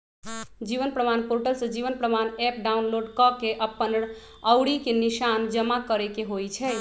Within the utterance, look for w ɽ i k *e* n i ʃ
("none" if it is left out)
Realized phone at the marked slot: e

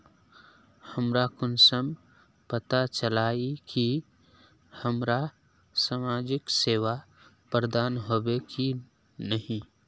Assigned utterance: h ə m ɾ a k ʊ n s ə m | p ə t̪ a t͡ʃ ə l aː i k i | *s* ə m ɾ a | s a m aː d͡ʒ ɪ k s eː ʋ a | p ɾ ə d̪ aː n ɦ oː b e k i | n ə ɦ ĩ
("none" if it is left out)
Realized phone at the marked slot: h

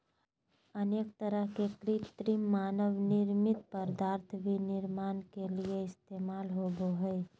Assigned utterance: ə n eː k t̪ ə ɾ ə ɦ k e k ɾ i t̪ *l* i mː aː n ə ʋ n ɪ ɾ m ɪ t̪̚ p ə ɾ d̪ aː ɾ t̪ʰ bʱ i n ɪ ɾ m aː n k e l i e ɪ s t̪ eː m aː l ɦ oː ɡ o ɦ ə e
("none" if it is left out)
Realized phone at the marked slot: ɾ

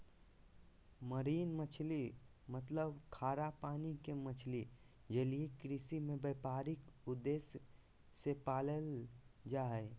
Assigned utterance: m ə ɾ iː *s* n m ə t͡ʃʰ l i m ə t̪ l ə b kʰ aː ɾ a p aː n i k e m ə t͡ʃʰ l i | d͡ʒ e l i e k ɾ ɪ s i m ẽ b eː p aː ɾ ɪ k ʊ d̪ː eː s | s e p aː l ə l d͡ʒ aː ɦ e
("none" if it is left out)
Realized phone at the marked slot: none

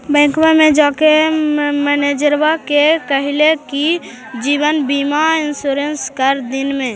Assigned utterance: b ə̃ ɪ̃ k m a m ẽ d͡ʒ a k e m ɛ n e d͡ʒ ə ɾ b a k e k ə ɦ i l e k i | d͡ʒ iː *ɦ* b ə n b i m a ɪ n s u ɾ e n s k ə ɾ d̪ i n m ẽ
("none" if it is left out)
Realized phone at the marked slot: none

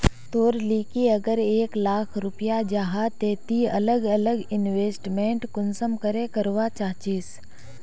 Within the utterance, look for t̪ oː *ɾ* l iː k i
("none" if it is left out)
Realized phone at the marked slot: ɾ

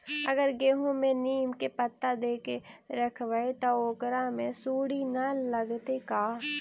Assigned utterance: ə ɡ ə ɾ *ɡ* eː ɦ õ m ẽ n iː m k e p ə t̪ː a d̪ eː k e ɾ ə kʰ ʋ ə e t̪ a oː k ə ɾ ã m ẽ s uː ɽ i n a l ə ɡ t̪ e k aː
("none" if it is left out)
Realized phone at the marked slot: ɡ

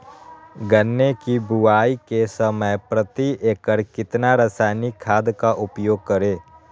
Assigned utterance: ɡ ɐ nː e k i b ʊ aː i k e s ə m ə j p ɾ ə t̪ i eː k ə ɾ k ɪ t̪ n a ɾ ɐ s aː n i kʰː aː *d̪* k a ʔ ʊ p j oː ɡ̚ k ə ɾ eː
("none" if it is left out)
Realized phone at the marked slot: d̪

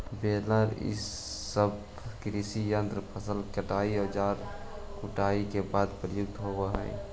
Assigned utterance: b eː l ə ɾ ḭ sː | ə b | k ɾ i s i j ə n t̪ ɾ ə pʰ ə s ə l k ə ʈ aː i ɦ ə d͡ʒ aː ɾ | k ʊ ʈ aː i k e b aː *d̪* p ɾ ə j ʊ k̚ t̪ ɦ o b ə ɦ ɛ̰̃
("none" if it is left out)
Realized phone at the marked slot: d̪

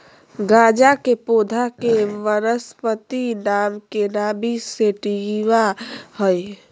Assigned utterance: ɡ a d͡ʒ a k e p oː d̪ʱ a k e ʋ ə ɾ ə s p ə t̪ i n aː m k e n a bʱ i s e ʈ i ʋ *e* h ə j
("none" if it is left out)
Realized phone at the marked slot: a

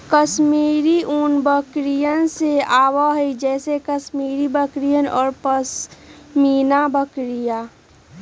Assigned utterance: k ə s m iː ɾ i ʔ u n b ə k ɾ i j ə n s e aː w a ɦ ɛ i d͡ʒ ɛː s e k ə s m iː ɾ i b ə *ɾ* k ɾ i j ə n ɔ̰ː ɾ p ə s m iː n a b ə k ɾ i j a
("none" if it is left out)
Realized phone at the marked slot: none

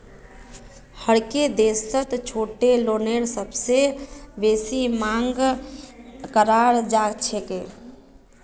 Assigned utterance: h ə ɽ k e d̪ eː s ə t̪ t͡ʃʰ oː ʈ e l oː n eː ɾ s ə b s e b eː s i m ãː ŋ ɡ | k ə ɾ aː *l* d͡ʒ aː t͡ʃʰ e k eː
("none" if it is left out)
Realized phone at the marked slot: ɾ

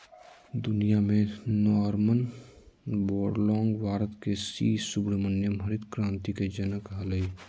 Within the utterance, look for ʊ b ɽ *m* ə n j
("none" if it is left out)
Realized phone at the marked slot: m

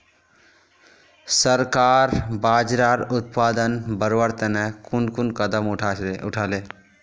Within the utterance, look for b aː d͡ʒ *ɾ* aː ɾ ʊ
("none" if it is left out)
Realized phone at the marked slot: ɾ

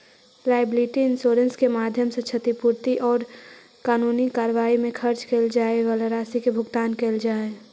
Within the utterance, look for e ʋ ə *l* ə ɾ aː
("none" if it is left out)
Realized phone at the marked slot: l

